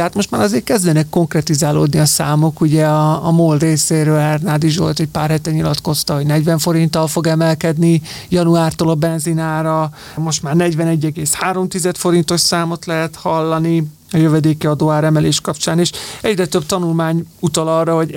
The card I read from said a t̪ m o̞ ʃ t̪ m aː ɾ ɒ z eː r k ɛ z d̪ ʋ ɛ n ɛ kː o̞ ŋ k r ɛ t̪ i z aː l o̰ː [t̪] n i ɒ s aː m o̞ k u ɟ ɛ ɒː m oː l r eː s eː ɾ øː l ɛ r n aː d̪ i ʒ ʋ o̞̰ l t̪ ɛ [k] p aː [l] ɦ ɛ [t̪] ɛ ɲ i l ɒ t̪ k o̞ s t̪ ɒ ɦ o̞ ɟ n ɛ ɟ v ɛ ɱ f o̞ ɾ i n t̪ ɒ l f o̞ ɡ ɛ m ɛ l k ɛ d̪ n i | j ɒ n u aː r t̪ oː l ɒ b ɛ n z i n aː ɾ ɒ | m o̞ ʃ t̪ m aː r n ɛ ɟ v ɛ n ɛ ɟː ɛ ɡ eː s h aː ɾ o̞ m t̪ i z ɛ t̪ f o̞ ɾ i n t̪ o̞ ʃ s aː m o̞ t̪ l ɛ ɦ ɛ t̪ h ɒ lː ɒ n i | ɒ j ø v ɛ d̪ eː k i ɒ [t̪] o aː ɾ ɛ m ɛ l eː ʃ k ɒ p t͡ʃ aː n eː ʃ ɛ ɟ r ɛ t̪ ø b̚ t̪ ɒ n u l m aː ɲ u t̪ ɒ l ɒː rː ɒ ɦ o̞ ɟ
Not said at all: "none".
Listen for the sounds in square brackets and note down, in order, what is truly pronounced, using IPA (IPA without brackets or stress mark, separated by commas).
d̪, c, r, t̪, d̪